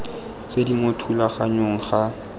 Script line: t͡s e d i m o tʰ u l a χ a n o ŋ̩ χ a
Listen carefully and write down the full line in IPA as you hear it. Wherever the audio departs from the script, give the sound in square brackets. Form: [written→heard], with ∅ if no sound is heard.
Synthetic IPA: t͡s e d i m o tʰ u l a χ a [n→ɲ] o ŋ̩ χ a